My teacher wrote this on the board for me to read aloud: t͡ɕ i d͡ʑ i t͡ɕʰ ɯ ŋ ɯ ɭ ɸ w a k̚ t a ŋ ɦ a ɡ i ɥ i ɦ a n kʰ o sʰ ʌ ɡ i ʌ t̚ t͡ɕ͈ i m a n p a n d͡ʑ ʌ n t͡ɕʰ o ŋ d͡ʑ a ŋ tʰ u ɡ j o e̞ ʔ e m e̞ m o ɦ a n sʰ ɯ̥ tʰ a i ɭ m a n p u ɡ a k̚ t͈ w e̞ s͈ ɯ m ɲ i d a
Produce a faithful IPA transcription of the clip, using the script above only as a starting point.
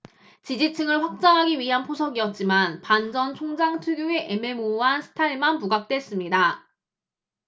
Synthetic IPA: t͡ɕ i d͡ʑ i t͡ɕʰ ɯ ŋ ɯ ɭ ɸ w a k̚ t͡ɕ͈ a ŋ ɦ a ɡ i ɥ i ɦ a n pʰ o sʰ ʌ ɡ i ʌ t̚ t͡ɕ͈ i m a n p a n d͡ʑ ʌ n t͡ɕʰ o ŋ d͡ʑ a ŋ tʰ u ɡ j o e̞ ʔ e m e̞ m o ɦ a n sʰ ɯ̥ tʰ a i ɭ m a n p u ɡ a k̚ t͈ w e̞ s͈ ɯ m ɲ i d a

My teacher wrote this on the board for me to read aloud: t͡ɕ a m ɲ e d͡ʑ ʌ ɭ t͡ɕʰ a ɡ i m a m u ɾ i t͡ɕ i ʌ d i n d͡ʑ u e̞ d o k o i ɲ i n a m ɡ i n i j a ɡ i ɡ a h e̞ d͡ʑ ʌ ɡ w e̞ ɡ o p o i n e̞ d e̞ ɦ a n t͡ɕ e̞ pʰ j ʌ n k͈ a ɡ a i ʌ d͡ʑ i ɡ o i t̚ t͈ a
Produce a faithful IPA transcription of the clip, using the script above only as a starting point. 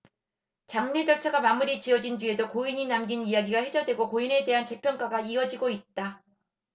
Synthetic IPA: t͡ɕ a ŋ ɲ e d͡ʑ ʌ ɭ t͡ɕʰ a ɡ a m a m u ɾ i t͡ɕ i ʌ d͡ʑ i n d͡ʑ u e̞ d o k o i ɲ i n a m ɡ i n i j a ɡ i ɡ a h e̞ d͡ʑ ʌ d w e̞ ɡ o k o i n e̞ d e̞ ɦ a n t͡ɕ e̞ pʰ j ʌ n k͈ a ɡ a i ʌ d͡ʑ i ɡ o i t̚ t͈ a

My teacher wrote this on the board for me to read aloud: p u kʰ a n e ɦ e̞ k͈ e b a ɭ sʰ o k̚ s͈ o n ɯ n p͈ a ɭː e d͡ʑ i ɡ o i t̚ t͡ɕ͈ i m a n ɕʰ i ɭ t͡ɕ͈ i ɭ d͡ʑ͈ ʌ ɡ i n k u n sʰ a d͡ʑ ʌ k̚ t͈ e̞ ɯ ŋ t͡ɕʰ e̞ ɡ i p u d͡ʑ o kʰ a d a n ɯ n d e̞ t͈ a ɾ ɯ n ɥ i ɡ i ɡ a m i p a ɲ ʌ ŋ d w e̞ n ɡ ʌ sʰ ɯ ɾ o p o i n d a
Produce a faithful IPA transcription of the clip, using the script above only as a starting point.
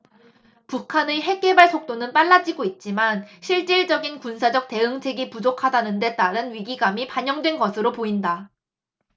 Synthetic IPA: p u kʰ a n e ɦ e̞ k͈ e b a ɭ sʰ o k̚ t͈ o n ɯ n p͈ a ɭː a d͡ʑ i ɡ o i t̚ t͡ɕ͈ i m a n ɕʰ i ɭ t͡ɕ͈ i ɭ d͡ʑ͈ ʌ ɡ i n k u n sʰ a d͡ʑ ʌ k̚ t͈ e̞ ɯ ŋ t͡ɕʰ e̞ ɡ i p u d͡ʑ o kʰ a d a n ɯ n d e̞ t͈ a ɾ ɯ n ɥ i ɡ i ɡ a m i p a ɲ ʌ ŋ d w e̞ n ɡ ʌ sʰ ɯ ɾ o p o i n d a

